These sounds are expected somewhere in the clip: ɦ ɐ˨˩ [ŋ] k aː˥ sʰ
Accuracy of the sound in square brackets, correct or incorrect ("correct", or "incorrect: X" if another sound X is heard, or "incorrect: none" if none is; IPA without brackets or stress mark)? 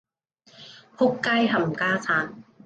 incorrect: m